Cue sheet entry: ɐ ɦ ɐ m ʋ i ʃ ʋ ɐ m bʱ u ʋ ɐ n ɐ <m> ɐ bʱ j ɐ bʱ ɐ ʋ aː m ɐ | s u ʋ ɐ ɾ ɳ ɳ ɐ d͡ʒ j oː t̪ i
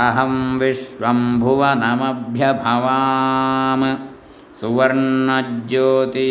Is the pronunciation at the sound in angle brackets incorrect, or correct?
correct